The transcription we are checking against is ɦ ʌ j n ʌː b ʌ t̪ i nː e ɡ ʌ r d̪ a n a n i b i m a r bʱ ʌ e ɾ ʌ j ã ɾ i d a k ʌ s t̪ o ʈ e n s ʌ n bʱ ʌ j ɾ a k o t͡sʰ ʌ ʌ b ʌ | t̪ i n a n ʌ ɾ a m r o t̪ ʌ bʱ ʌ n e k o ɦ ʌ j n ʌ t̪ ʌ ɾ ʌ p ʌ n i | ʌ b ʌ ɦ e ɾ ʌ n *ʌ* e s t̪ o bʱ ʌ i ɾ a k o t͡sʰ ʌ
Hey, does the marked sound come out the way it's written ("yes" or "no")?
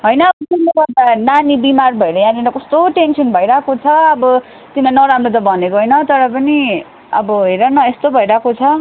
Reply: yes